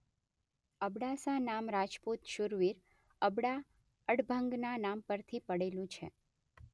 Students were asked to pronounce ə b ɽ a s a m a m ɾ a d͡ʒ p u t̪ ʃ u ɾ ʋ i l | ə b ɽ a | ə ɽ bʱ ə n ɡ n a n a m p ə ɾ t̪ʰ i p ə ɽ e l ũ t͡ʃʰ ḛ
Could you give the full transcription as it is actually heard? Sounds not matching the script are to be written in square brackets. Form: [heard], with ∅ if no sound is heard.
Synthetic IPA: ə b ɽ a s a [n] a m ɾ a d͡ʒ p u t̪ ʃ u ɾ ʋ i [ɾ] | ə b ɽ a | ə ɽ bʱ ə [ŋ] ɡ n a n a m p ə ɾ t̪ʰ i p ə ɽ e l ũ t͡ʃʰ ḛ